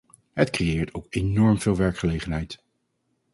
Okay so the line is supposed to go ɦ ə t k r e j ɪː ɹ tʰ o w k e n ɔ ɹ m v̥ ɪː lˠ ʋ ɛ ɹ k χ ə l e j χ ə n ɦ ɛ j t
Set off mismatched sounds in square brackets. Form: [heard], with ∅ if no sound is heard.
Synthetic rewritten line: ɦ ə t k r e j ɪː ɹ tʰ o w k e n ɔ ɹ m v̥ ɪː lˠ ʋ ɛ ɹ k χ ə l e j χ ə n ɦ ɛ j t